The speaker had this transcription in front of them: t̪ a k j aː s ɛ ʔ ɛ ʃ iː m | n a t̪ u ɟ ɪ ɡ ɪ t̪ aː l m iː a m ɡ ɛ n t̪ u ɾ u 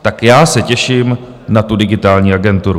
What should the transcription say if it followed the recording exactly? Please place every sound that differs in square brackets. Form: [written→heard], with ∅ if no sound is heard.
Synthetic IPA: t̪ a k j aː s ɛ [ʔ→c] ɛ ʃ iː m | n a t̪ u [ɟ→d] ɪ ɡ ɪ t̪ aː l [m→ɲ] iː a [m→∅] ɡ ɛ n t̪ u ɾ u